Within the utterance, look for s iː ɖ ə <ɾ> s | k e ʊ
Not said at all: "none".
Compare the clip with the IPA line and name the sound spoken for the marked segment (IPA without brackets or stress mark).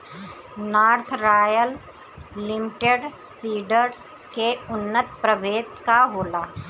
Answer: ɾ